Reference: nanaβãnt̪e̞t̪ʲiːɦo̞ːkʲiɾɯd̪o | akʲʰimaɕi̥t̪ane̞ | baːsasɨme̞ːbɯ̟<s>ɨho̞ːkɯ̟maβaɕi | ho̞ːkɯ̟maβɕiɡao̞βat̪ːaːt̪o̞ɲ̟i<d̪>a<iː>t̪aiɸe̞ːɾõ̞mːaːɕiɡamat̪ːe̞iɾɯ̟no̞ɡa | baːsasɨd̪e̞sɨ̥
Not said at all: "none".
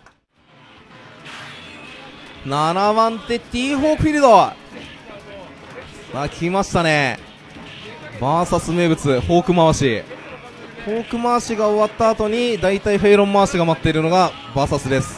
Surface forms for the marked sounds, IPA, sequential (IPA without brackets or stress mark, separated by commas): t͡s, d̪, i